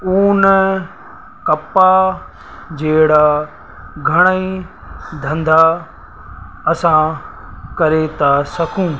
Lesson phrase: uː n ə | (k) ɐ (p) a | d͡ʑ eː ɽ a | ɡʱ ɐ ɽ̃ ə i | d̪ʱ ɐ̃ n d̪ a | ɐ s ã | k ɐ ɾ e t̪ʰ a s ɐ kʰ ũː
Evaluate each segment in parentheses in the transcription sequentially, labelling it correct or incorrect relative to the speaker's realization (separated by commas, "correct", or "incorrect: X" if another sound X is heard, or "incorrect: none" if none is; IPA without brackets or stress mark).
correct, correct